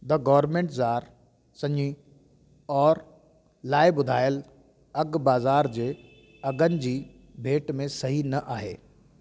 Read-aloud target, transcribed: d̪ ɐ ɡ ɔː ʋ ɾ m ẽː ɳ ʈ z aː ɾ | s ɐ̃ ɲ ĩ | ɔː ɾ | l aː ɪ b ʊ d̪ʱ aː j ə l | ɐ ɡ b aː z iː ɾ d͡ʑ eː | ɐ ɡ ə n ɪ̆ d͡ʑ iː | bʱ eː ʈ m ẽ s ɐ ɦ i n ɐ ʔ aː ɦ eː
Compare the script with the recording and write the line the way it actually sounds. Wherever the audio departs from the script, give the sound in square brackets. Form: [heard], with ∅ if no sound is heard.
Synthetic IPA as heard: d̪ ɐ ɡ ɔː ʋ ɾ m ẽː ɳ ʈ z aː ɾ | s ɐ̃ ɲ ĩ | ɔː ɾ | l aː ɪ b ʊ d̪ʱ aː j ə l | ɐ ɡ b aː z [aː] ɾ d͡ʑ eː | ɐ ɡ ə n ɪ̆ d͡ʑ iː | bʱ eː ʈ m ẽ s ɐ ɦ i n ɐ ʔ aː ɦ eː